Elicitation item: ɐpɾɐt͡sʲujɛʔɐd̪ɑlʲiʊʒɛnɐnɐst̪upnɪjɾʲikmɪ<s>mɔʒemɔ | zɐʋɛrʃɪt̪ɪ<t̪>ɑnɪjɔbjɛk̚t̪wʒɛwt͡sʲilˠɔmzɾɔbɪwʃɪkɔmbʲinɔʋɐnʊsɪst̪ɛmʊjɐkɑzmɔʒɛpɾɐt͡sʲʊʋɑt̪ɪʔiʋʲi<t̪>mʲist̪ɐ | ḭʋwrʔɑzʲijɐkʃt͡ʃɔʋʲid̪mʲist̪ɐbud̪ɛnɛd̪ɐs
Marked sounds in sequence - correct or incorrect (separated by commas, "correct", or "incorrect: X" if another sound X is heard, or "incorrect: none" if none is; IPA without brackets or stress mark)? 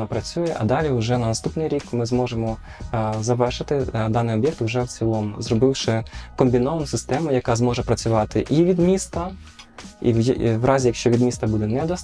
incorrect: z, incorrect: d̪, incorrect: d̪